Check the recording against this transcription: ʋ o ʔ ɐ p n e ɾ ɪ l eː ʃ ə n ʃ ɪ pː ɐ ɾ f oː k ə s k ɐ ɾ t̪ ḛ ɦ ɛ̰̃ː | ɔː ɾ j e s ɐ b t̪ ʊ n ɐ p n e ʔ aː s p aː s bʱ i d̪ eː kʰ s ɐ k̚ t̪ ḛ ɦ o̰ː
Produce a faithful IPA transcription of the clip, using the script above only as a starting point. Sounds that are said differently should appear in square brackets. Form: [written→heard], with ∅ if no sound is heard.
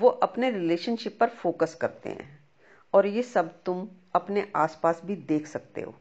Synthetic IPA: ʋ o ʔ ɐ p n e ɾ ɪ l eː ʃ ə n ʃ ɪ pː ɐ ɾ f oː k ə s k ɐ ɾ t̪ ḛ ɦ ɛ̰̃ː | ɔː ɾ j e s ɐ b t̪ ʊ [n→m] ɐ p n e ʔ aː s p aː s bʱ i d̪ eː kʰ s ɐ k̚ t̪ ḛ ɦ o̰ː